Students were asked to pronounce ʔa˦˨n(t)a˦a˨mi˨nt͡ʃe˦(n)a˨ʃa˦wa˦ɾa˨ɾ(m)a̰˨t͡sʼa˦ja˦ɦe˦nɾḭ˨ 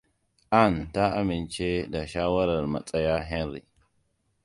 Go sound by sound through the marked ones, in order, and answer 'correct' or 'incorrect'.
correct, incorrect, correct

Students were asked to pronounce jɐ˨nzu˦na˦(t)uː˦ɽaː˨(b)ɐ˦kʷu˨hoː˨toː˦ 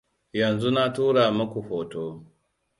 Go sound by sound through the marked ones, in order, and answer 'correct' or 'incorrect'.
correct, incorrect

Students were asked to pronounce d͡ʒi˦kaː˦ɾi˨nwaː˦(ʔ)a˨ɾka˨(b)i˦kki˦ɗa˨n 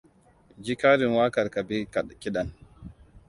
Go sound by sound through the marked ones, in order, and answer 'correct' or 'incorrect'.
incorrect, correct

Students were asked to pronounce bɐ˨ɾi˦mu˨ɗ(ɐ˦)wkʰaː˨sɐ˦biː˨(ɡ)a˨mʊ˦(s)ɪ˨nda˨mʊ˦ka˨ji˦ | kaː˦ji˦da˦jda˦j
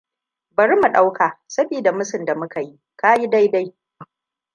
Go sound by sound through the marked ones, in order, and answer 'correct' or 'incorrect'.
incorrect, incorrect, correct

